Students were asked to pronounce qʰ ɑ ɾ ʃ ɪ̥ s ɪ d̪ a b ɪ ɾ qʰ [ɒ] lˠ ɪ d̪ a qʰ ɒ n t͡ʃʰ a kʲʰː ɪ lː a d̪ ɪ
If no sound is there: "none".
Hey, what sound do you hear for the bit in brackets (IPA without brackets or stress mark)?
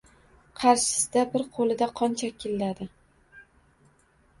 o